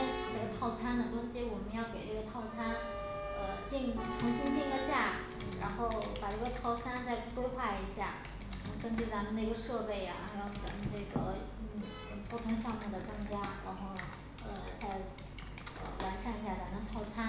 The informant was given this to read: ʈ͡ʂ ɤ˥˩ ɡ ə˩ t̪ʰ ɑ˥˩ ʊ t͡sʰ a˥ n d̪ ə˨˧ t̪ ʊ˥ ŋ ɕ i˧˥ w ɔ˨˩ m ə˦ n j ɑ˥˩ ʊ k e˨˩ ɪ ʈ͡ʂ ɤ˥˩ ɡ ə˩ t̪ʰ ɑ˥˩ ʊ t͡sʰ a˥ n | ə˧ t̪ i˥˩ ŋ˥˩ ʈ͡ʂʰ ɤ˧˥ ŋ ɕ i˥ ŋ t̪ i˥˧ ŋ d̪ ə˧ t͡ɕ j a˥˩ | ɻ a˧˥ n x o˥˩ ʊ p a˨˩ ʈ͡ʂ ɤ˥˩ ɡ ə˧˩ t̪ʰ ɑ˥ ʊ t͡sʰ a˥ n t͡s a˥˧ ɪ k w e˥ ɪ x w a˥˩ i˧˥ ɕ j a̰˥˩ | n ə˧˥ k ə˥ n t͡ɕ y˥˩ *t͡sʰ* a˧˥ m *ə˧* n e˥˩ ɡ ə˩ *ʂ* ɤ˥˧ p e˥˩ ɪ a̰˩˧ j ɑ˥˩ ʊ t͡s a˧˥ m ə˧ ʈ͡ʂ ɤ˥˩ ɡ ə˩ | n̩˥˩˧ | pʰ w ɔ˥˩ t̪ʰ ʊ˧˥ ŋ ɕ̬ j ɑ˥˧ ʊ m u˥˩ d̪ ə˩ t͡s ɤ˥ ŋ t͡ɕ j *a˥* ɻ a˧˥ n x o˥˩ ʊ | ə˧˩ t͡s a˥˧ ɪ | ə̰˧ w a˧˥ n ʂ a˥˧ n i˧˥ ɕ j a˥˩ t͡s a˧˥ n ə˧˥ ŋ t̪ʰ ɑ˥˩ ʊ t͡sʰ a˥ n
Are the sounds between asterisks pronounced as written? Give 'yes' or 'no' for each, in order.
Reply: no, yes, yes, yes

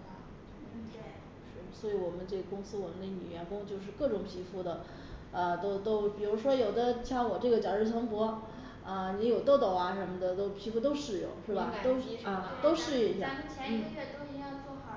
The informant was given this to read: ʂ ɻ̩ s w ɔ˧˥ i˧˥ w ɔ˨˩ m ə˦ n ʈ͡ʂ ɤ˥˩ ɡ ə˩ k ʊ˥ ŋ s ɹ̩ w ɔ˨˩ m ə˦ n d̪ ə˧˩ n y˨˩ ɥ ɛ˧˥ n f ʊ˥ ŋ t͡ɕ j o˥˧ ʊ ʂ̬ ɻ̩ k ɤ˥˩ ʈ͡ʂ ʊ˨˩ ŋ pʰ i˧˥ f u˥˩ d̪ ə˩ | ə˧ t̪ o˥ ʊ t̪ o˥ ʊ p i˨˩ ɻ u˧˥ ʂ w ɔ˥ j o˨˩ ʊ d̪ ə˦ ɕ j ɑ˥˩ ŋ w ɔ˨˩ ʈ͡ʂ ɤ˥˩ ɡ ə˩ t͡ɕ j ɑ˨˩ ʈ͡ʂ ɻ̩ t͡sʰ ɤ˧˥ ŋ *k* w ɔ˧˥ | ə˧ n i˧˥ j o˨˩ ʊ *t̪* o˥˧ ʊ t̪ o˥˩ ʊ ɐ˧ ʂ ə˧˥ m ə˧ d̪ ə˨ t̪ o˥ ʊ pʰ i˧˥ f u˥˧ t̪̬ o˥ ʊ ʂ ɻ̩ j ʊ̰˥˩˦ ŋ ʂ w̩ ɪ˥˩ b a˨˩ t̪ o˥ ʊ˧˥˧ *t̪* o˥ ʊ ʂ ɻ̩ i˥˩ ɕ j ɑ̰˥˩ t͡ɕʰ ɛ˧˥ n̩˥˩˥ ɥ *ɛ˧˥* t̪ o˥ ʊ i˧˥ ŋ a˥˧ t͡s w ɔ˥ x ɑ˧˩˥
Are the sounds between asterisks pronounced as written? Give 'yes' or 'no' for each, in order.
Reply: no, yes, yes, no

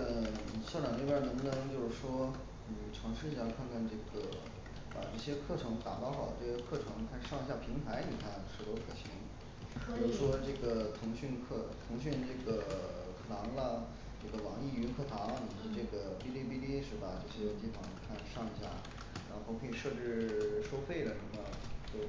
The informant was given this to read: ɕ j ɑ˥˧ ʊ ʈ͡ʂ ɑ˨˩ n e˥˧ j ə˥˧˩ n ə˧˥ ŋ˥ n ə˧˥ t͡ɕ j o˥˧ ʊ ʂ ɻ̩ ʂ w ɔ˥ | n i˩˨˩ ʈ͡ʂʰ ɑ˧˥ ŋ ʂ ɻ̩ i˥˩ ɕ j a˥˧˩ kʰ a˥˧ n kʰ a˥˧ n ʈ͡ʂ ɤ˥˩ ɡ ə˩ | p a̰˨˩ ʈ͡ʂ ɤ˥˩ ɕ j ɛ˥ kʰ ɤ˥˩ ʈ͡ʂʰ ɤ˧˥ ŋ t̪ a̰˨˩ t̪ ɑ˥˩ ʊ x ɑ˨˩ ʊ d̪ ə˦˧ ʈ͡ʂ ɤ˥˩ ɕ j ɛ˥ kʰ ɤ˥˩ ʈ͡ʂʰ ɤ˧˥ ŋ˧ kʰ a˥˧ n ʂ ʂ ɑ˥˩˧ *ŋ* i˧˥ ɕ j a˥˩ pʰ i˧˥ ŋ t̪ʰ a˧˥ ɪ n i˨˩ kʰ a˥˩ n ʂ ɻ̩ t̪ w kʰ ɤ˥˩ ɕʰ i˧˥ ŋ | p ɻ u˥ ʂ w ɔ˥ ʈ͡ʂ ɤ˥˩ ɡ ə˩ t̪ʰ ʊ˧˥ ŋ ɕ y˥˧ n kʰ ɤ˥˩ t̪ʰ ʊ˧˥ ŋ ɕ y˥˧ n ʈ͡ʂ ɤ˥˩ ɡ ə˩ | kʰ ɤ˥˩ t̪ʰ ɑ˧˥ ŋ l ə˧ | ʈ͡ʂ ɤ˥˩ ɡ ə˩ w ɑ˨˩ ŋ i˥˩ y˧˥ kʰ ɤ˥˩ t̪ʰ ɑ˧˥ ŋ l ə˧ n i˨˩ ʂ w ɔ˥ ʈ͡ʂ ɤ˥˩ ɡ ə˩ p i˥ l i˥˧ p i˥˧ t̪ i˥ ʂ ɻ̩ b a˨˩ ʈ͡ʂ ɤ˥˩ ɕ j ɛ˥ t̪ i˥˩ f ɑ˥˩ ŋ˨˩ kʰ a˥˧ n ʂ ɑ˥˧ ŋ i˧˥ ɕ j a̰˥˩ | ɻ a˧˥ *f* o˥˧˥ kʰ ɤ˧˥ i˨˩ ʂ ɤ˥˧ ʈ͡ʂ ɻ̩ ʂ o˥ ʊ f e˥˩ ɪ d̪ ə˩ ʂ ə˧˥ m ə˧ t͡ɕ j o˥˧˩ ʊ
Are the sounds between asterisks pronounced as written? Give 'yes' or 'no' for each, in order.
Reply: yes, no

